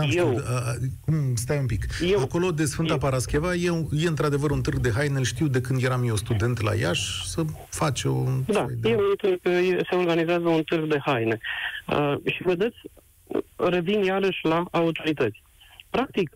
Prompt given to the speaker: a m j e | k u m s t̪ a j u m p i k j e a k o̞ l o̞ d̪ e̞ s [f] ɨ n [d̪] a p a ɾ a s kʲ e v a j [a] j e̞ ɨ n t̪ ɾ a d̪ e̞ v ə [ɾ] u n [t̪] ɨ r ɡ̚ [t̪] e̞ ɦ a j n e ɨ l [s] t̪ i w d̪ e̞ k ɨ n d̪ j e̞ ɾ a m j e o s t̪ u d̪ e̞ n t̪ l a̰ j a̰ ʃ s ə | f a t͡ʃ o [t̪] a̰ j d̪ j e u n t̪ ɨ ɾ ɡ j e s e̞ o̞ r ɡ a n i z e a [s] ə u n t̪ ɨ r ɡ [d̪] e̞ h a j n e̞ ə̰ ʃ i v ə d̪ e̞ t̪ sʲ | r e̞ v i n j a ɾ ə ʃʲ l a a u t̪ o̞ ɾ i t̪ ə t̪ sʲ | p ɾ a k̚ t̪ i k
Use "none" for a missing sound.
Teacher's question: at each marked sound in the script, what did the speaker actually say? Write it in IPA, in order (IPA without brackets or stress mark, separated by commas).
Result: f, t̪, e, ɾ, t̪, d̪, ʃ, d̪, z, d̪